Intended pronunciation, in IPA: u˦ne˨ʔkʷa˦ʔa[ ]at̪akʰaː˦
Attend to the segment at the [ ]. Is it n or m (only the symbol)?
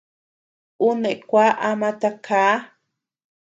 m